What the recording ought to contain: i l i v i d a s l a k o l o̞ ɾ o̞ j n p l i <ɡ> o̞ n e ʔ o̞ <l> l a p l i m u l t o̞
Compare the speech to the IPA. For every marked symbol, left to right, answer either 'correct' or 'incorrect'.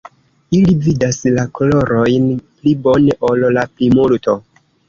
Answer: incorrect, correct

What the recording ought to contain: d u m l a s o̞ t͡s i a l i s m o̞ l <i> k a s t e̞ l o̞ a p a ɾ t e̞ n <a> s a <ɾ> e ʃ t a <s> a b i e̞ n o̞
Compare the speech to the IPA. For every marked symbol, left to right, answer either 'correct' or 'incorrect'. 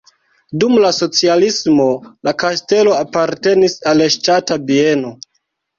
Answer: incorrect, incorrect, incorrect, incorrect

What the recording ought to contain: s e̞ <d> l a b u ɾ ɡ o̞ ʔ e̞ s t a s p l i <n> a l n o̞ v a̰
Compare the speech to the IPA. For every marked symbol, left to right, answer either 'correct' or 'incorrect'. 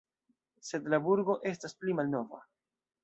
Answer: correct, incorrect

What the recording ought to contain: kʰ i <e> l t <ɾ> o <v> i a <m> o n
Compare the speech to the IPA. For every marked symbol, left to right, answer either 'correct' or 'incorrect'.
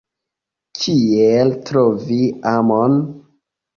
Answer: correct, correct, correct, correct

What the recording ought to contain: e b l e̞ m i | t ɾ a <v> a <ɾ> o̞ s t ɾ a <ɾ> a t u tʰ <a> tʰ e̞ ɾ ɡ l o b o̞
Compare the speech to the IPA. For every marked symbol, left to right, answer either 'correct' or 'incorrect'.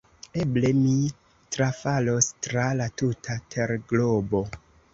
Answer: incorrect, incorrect, incorrect, correct

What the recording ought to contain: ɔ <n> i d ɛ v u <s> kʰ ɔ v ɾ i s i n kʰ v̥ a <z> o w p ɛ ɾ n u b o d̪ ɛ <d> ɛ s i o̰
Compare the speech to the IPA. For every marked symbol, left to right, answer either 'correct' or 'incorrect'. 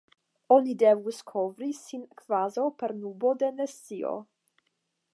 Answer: correct, correct, correct, incorrect

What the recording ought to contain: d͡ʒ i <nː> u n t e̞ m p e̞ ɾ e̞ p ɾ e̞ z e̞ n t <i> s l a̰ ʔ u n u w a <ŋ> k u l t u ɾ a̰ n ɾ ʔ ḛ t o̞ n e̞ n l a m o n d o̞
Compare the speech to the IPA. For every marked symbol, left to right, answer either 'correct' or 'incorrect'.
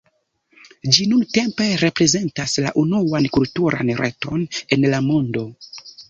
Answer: incorrect, incorrect, incorrect

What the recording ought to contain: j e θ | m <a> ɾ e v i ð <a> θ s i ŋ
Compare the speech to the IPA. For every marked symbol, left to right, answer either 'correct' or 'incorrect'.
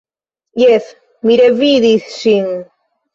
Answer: incorrect, incorrect

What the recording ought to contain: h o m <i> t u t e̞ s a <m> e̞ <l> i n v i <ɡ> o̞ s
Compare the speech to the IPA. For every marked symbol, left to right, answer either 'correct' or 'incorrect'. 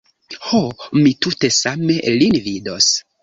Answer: correct, correct, correct, incorrect

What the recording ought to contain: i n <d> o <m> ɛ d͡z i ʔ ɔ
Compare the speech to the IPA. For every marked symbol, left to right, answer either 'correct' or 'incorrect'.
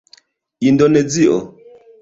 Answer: correct, incorrect

